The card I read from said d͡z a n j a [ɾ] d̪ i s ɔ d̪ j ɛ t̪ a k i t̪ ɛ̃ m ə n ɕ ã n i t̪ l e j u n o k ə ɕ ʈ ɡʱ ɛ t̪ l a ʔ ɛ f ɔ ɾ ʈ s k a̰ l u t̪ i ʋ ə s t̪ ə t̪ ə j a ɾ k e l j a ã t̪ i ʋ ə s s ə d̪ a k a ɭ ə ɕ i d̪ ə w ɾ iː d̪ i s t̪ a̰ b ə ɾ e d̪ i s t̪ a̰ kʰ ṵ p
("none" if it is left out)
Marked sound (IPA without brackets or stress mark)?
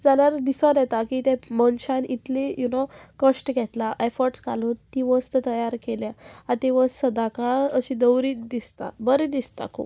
ɾ